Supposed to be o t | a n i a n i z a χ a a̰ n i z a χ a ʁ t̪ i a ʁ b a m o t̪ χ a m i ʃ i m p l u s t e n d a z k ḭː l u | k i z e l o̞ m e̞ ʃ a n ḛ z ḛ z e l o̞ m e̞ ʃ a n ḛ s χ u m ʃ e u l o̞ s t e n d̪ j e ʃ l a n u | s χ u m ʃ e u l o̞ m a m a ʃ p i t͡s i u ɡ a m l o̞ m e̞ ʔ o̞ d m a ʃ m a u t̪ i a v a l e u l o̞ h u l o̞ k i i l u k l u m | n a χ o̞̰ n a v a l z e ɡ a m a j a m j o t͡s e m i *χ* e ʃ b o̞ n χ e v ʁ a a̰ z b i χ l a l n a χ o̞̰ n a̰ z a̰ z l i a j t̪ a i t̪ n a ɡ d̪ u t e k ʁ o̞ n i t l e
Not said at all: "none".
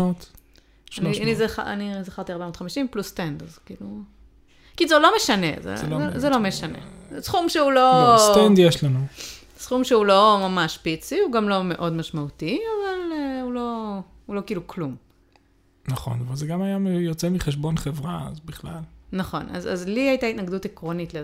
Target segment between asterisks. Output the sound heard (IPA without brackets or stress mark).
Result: χ